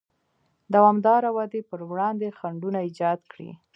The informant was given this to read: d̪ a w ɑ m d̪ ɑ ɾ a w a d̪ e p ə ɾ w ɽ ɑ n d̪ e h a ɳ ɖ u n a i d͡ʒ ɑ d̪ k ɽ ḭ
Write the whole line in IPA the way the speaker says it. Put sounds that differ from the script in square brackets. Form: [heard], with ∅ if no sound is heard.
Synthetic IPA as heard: d̪ a w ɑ m d̪ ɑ ɾ a w a d̪ e p ə ɾ w ɽ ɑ n d̪ e [x] a ɳ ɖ u n a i d͡ʒ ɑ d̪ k ɽ ḭ